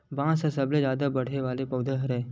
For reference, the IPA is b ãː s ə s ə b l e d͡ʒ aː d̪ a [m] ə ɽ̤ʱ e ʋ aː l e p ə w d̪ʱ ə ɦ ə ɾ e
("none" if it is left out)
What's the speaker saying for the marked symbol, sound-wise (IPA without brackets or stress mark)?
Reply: b